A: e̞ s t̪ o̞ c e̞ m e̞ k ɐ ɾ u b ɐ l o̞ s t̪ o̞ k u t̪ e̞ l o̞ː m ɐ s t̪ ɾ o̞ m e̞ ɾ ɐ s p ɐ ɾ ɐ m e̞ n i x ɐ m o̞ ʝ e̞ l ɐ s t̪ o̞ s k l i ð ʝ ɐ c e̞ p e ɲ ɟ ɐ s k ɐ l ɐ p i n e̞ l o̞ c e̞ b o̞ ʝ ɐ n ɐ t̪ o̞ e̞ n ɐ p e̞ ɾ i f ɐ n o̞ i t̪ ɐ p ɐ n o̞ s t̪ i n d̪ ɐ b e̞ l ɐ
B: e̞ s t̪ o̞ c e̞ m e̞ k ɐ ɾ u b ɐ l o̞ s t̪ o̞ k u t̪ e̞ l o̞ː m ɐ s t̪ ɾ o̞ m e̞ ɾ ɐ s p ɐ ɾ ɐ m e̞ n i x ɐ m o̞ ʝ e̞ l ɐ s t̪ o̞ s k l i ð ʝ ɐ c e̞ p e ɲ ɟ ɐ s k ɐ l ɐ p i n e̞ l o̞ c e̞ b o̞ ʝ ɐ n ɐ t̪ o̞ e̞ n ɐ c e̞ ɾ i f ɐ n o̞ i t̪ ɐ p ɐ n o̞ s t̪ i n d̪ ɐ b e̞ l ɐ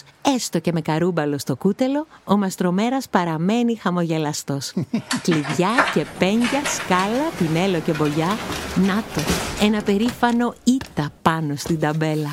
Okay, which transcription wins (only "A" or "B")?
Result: A